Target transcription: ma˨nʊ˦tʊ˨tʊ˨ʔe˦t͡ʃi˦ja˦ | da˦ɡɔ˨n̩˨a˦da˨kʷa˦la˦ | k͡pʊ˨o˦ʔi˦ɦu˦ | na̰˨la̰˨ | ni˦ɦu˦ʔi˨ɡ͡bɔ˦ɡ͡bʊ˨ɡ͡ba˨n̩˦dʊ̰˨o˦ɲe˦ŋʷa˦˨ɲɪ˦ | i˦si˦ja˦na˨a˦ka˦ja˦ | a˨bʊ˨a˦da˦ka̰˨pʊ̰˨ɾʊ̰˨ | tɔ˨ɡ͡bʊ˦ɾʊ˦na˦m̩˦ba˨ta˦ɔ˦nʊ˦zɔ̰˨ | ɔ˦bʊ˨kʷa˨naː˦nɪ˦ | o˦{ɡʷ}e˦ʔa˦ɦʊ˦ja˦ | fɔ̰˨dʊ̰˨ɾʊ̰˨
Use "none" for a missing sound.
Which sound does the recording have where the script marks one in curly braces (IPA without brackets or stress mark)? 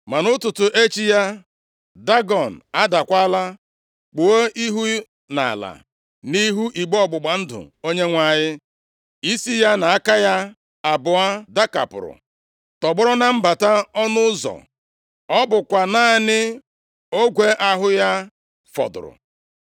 ɡʷ